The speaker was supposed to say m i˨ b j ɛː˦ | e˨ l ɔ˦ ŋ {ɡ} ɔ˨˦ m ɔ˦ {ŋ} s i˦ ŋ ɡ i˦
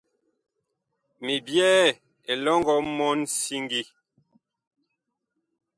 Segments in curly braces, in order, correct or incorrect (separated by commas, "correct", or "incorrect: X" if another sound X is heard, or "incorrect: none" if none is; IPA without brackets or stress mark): correct, incorrect: n